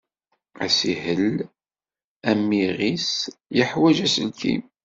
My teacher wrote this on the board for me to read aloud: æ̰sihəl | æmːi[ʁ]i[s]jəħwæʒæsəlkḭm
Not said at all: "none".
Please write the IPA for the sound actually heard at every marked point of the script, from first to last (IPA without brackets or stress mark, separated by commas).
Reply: ʁ, s